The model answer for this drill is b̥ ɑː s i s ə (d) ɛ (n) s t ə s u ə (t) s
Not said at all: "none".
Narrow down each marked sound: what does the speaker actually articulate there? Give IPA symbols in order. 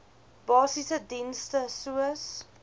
d, n, none

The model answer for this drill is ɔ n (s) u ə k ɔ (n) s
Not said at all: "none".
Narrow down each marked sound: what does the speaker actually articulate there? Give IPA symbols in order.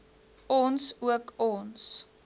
s, n

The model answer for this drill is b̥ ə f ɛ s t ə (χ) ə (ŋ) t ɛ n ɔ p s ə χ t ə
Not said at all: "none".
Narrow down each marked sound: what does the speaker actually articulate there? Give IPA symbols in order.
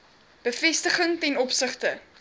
χ, ŋ

